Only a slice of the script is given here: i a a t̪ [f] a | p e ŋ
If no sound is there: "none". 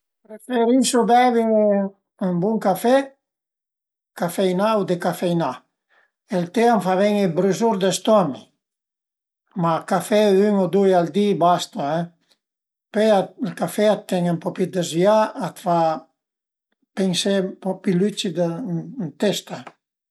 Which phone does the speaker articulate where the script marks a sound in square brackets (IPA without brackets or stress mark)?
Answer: f